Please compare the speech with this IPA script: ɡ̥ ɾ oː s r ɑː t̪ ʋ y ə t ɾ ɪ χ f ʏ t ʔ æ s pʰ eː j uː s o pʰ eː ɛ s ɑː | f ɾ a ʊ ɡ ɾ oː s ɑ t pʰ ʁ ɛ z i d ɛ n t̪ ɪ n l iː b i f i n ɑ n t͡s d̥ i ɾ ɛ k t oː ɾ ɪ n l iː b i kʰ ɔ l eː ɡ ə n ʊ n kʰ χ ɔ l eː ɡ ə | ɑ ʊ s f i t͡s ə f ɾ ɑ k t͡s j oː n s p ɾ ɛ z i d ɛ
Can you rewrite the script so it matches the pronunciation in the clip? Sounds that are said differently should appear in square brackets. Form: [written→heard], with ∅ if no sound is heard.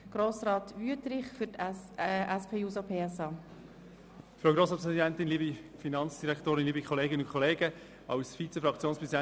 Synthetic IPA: ɡ̥ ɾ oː s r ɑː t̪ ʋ y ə t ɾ ɪ χ f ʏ t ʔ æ s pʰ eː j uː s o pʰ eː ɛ s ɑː | f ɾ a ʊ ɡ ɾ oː s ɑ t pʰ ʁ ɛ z i d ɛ n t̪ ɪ n l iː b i f i n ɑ n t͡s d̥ i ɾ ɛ k t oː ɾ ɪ n l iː b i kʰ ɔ l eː ɡ ə n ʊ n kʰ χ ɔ l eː ɡ ə | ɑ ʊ s f i t͡s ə f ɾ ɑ k t͡s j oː n s p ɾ ɛ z i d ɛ